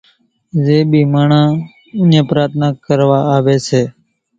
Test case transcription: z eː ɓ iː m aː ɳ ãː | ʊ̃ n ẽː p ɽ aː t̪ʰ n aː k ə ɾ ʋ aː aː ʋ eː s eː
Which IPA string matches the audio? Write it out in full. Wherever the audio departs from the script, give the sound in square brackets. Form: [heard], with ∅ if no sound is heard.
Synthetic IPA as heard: z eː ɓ iː m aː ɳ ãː | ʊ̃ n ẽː p [ɾ] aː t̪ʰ n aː k ə ɾ ʋ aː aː ʋ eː s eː